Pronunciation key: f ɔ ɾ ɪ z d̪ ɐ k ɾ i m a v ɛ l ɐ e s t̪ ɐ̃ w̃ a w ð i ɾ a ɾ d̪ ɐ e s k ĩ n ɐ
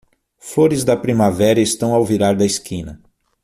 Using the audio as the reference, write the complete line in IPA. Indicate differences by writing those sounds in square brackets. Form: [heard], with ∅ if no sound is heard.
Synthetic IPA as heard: f [o] ɾ ɪ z d̪ ɐ [p] ɾ i m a v ɛ [ɾ] ɐ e s t̪ ɐ̃ w̃ a w [v] i ɾ a ɾ d̪ ɐ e s k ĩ n ɐ